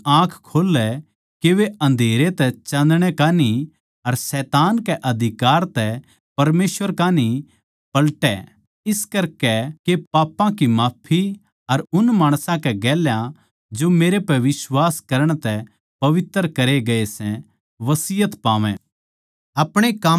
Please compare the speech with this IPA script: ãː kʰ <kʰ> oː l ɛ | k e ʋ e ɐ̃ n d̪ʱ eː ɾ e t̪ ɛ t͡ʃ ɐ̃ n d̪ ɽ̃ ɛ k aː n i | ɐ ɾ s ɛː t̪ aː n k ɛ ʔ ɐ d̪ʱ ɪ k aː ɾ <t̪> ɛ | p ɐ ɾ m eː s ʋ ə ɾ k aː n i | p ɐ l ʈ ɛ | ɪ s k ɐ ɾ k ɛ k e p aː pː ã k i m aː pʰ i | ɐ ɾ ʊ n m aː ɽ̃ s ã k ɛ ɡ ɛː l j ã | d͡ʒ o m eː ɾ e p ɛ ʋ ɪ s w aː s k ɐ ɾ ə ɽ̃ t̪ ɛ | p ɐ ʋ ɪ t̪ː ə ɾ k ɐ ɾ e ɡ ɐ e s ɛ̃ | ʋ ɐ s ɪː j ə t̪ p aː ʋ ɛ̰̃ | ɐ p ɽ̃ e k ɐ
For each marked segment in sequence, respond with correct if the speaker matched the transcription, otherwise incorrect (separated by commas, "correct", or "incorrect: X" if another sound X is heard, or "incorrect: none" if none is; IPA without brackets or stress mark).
correct, correct